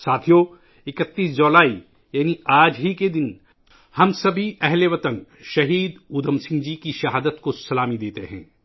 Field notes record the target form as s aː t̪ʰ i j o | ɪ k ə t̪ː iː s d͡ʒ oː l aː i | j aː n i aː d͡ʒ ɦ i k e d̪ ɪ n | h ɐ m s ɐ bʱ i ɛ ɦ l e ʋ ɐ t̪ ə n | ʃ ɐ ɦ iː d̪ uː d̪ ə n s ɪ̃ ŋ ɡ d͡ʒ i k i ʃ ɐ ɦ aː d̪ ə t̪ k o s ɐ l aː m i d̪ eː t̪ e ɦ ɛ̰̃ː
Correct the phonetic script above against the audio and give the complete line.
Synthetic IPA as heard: s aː t̪ʰ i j o | ɪ k ə t̪ː iː s d͡ʒ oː l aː i | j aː n i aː d͡ʒ ɦ i k e d̪ ɪ n | h ɐ m s ɐ bʱ i ɛ ɦ l e ʋ ɐ t̪ ə n | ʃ ɐ ɦ iː d̪ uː d̪ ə m s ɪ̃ ŋ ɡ d͡ʒ i k i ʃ ɐ ɦ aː d̪ ə t̪ k o s ɐ l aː m i d̪ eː t̪ e ɦ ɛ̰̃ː